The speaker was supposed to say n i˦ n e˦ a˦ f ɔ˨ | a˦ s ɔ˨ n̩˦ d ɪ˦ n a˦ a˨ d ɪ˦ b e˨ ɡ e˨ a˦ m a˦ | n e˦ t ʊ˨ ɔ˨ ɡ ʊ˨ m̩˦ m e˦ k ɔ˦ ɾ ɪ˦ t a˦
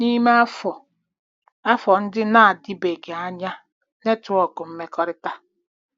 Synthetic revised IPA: n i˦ m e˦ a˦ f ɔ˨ | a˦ f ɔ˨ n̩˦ d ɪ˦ n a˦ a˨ d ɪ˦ b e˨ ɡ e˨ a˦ ɲ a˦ | n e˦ t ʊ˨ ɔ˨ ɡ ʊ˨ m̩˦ m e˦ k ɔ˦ ɾ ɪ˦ t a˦